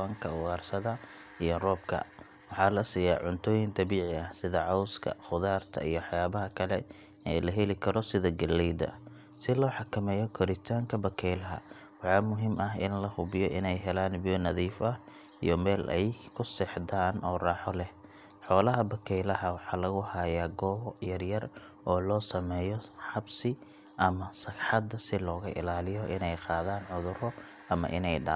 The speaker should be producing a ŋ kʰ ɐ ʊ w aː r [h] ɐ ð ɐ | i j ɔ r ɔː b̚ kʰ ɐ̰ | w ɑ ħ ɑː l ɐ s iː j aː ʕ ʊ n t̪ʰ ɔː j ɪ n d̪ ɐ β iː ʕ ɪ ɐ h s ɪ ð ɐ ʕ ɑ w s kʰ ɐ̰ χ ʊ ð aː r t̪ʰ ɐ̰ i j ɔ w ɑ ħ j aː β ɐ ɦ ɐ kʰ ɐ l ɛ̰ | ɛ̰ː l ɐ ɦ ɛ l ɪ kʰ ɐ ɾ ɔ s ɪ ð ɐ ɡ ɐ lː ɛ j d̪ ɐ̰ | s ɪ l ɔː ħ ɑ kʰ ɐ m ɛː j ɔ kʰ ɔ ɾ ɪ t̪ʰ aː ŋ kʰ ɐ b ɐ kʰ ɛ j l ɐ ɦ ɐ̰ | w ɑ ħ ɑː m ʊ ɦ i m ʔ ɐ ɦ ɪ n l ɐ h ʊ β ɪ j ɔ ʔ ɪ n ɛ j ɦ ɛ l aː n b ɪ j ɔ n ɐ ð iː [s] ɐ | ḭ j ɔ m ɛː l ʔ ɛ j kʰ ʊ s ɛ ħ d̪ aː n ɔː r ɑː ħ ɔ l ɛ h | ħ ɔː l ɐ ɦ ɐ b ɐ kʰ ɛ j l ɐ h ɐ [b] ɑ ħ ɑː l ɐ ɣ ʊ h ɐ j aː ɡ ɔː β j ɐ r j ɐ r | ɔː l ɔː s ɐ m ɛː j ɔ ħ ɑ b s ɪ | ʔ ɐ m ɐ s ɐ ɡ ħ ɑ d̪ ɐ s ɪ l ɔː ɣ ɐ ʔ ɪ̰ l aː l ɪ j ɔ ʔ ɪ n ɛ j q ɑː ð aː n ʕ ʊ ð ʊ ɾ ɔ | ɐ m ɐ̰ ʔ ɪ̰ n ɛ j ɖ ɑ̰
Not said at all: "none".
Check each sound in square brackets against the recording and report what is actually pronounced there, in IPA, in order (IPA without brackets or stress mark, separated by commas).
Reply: s, f, w